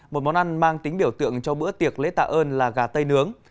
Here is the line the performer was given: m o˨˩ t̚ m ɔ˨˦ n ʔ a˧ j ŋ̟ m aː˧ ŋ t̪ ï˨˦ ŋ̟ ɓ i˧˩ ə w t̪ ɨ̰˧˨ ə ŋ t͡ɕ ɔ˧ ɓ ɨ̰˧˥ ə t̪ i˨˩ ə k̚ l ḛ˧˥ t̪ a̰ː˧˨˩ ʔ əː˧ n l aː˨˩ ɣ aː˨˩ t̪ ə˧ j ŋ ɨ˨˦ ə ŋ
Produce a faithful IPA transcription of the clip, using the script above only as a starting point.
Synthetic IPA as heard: m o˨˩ t̚ m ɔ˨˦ n ʔ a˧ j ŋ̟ m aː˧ ŋ t̪ ï˨˦ ŋ̟ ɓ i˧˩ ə w t̪ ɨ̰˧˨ ə ŋ t͡ɕ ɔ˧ ɓ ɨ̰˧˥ ə t̪ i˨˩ ə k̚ l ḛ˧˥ t̪ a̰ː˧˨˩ ʔ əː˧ n l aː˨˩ ɣ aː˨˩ t̪ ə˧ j n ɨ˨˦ ə ŋ